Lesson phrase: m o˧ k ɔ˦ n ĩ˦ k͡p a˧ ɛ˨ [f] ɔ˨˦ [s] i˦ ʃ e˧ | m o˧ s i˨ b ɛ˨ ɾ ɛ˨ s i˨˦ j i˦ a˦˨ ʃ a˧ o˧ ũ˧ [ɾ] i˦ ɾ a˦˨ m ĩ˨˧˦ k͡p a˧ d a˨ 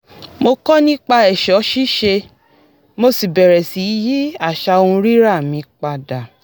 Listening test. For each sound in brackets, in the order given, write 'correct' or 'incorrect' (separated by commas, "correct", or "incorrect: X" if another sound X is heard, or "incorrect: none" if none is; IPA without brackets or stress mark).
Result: incorrect: ʃ, incorrect: ʃ, correct